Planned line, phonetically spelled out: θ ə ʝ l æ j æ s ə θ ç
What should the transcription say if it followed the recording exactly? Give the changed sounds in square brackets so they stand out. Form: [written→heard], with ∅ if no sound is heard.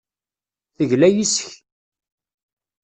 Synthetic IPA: θ ə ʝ l æ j [æ→i] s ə [θ→∅] ç